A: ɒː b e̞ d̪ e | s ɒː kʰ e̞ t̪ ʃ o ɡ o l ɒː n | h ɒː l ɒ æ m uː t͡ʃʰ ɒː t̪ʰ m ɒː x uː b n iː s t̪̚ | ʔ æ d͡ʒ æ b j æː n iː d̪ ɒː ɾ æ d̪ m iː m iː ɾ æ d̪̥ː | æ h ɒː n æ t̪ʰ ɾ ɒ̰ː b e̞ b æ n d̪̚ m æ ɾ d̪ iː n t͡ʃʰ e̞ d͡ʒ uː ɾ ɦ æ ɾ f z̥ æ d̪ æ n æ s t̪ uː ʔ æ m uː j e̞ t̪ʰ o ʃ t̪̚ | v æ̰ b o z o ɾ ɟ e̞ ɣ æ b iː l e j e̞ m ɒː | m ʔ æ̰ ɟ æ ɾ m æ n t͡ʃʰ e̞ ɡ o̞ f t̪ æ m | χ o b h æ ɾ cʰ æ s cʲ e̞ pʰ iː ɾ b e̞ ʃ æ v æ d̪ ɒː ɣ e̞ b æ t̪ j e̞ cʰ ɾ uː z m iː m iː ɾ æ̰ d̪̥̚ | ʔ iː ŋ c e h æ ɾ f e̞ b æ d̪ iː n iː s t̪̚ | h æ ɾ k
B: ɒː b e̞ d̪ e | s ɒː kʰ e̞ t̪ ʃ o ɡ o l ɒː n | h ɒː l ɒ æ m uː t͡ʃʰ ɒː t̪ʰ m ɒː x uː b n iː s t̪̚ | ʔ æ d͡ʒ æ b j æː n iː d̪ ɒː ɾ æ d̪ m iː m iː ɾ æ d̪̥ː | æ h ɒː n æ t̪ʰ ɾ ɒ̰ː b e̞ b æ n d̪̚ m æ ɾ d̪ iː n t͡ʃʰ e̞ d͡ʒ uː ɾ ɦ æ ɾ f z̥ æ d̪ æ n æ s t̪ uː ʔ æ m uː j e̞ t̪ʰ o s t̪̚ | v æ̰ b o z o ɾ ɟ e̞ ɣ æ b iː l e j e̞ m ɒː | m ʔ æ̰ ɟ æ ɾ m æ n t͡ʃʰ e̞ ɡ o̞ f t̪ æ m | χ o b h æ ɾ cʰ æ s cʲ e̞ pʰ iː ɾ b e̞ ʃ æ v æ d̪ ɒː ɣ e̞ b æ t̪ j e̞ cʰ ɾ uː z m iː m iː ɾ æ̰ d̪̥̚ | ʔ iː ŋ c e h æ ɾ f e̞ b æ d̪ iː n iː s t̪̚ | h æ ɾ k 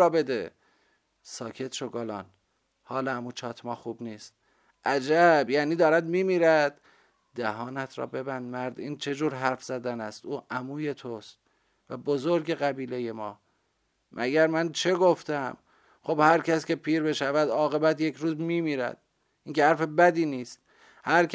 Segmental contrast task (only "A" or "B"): B